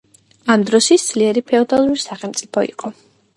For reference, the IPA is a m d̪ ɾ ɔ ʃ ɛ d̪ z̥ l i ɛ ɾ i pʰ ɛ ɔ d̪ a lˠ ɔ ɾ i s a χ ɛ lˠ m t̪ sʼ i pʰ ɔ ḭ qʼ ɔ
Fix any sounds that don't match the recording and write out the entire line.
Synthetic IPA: a m d̪ ɾ ɔ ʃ i d̪ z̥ l i ɛ ɾ i pʰ ɛ ɔ d̪ a lˠ u ɾ i s a χ ɛ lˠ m t̪ sʼ i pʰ ɔ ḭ qʼ ɔ